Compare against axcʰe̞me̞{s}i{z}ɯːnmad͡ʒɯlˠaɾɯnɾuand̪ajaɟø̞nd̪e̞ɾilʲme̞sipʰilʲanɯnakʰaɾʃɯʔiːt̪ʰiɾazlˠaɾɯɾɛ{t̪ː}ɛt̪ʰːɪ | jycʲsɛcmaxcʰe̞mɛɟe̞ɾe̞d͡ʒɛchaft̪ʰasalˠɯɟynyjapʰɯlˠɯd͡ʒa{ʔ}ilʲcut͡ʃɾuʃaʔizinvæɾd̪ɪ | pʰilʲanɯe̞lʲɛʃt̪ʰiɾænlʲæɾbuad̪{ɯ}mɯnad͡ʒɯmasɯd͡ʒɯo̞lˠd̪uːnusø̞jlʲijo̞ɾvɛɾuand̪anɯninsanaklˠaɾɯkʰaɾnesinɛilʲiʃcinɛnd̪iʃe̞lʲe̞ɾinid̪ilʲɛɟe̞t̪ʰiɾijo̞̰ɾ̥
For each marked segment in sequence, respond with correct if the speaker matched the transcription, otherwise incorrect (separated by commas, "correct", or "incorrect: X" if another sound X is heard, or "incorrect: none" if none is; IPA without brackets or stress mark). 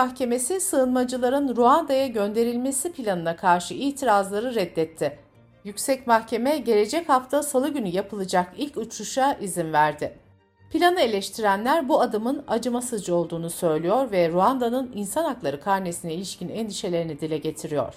correct, incorrect: s, incorrect: d̪ː, incorrect: k, correct